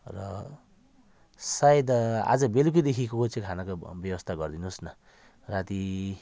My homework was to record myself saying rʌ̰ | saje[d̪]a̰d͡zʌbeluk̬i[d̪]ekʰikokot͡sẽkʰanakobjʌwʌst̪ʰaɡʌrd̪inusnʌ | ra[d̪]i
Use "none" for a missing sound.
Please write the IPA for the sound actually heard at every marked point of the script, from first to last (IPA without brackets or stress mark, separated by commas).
d̪, d̪, t̪